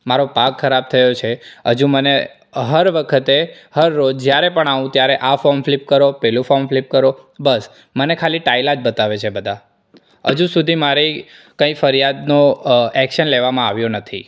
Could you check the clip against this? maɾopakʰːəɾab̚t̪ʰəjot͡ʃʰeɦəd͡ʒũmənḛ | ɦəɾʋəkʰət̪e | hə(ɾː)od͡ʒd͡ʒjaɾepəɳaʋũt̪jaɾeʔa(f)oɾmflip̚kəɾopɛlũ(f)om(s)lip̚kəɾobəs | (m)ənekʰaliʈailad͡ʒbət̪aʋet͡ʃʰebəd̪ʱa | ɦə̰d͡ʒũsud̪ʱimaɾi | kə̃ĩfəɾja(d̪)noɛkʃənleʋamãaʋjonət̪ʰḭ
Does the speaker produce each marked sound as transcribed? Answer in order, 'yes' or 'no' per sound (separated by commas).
yes, yes, yes, no, yes, yes